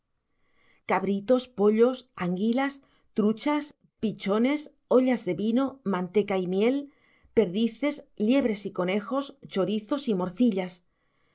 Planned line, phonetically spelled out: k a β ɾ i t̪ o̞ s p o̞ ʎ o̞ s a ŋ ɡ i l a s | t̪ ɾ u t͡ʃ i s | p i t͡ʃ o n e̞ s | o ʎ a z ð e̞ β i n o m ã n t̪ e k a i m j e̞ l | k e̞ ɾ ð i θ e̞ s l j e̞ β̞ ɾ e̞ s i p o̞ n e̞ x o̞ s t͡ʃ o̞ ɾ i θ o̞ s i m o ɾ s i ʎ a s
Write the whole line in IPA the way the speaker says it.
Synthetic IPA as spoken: k a β ɾ i t̪ o̞ s p o̞ ʎ o̞ s a ŋ ɡ i l a s | t̪ ɾ u t͡ʃ a s | p i t͡ʃ o n e̞ s | o ʎ a z ð e̞ β i n o m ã n t̪ e k a i m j e̞ l | p e̞ ɾ ð i θ e̞ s l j e̞ β̞ ɾ e̞ s i k o̞ n e̞ x o̞ s t͡ʃ o̞ ɾ i θ o̞ s i m o ɾ θ i ʎ a s